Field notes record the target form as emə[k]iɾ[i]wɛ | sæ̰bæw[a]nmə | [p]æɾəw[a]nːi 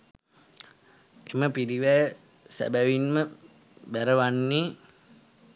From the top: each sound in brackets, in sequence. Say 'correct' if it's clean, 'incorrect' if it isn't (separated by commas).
incorrect, correct, incorrect, incorrect, correct